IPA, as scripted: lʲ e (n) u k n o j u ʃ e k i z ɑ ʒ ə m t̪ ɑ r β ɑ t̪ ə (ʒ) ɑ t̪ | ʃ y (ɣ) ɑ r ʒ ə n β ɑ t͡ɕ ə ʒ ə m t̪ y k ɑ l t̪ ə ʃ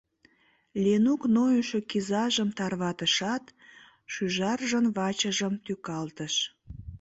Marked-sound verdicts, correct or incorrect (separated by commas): correct, incorrect, incorrect